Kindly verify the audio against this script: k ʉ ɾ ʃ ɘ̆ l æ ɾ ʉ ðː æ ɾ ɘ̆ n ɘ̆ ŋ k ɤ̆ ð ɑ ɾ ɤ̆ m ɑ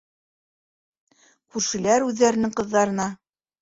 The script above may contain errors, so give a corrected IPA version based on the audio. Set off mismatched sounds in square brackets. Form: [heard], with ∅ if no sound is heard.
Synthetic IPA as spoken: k ʉ ɾ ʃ ɘ̆ l æ ɾ ʉ ðː æ ɾ ɘ̆ n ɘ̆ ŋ [q] ɤ̆ [ðː] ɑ ɾ ɤ̆ [n] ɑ